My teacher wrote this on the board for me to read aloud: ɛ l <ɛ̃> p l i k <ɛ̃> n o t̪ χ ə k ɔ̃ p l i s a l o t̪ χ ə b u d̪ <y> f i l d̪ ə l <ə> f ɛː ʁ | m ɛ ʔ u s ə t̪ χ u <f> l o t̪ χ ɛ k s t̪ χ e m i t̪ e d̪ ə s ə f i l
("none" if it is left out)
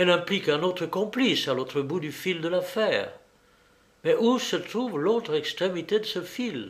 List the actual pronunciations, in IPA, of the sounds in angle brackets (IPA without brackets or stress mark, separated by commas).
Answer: ɛ̃, ɛ̃, y, a, v